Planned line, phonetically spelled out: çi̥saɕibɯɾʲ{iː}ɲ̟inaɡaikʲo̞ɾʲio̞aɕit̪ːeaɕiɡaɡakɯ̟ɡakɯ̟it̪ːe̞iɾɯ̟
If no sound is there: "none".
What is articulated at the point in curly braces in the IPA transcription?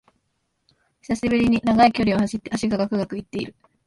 i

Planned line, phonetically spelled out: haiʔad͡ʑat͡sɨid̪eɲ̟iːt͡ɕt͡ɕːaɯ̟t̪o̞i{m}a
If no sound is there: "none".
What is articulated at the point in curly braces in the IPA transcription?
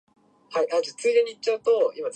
m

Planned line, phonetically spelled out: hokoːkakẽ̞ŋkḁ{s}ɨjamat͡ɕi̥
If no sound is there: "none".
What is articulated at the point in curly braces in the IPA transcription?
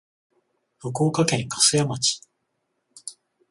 s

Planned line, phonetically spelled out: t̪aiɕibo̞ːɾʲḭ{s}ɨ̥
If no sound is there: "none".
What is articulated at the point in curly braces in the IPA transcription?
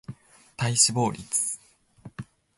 t͡s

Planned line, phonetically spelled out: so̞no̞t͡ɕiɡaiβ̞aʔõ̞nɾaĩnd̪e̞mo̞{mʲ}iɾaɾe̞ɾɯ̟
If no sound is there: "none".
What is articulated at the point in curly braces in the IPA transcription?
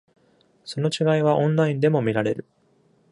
mʲ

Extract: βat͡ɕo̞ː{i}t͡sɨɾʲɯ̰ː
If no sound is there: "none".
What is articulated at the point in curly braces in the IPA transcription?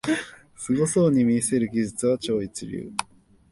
i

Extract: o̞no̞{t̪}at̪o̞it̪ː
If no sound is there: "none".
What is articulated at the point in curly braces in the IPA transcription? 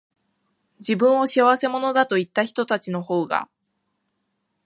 d̪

